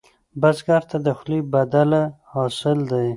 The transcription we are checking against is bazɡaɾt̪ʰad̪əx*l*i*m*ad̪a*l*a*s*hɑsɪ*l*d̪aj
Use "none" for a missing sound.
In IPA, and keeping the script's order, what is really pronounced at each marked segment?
l, b, l, none, l

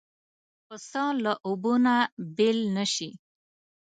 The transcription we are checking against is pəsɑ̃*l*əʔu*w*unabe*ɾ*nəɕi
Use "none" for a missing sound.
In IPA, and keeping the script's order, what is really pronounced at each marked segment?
l, b, l

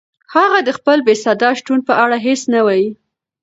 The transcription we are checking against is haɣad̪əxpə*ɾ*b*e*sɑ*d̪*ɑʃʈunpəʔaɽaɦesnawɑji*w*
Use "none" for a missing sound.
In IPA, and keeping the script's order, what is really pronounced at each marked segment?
l, e, d̪, none

